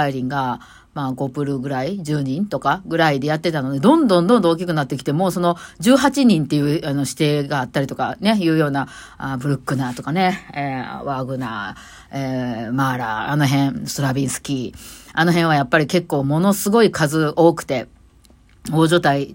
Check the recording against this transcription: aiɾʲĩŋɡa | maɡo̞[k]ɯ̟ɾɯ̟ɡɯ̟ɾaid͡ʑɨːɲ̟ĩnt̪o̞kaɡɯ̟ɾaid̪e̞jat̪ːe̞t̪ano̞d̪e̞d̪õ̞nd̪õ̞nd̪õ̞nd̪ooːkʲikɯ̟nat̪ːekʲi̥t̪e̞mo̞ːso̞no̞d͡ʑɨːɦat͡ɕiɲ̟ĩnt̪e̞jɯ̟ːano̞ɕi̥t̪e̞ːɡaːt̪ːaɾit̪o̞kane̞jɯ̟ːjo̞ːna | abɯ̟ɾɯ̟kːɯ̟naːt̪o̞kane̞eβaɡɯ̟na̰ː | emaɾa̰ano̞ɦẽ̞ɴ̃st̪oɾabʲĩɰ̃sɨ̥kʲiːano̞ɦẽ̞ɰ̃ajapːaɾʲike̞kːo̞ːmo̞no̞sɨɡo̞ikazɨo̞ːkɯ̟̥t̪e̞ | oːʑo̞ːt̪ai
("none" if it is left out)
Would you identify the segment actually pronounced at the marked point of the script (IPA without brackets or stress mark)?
p